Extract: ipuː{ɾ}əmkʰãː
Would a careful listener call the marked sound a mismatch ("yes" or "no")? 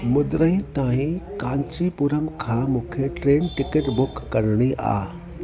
no